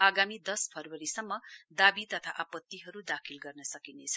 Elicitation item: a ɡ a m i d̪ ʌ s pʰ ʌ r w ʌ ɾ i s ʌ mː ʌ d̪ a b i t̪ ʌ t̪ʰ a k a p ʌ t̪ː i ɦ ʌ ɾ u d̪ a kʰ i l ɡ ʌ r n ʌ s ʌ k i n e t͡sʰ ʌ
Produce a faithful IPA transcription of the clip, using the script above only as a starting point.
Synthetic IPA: a ɡ a m i d̪ ʌ s pʰ ʌ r w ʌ ɾ i s ʌ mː ʌ d̪ a b i t̪ ʌ t̪ʰ a ʔ a p ʌ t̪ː i ɦ ʌ ɾ u d̪ a kʰ i l ɡ ʌ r n ʌ s ʌ k i n e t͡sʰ ʌ